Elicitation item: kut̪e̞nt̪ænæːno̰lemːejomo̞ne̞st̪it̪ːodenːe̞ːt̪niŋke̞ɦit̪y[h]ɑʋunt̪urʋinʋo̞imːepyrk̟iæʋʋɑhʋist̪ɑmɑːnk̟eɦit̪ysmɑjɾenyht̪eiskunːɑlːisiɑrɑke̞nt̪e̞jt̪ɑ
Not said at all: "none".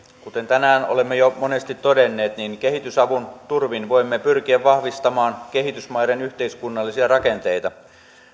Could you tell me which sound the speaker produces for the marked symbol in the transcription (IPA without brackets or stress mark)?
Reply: s